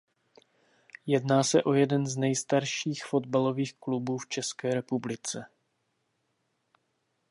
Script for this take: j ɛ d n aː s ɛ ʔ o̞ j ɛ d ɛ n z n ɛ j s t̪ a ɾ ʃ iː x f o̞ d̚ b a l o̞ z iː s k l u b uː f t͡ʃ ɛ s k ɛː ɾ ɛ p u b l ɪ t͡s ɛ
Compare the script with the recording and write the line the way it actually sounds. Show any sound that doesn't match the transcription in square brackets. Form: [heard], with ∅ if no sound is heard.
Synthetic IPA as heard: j ɛ d n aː s ɛ ʔ o̞ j ɛ d ɛ n z n ɛ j s t̪ a ɾ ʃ iː x f o̞ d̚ b a l o̞ [v] iː [x] k l u b uː f t͡ʃ ɛ s k ɛː ɾ ɛ p u b l ɪ t͡s ɛ